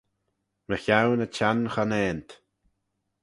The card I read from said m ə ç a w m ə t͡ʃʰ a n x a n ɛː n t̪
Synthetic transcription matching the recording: m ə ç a w n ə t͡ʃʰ a n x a n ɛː n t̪